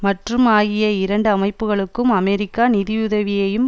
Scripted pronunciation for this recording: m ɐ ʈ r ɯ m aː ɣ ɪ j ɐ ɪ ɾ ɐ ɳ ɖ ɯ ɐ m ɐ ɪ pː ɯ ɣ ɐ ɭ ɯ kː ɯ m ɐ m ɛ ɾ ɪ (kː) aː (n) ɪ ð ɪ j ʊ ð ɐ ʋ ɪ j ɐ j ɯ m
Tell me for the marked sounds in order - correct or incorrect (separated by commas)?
correct, correct